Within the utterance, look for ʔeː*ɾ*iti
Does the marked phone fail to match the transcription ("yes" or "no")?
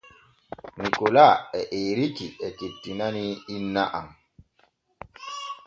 no